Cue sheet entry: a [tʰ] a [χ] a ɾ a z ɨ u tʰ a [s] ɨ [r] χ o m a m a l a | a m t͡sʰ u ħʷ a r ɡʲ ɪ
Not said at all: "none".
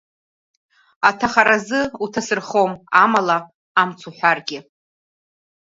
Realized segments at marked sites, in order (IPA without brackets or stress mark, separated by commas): tʰ, χ, s, r